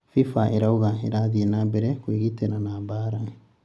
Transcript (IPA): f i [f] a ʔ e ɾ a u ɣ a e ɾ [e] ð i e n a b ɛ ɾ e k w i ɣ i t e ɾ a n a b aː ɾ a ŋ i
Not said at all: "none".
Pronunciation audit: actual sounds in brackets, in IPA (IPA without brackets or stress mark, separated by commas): f, a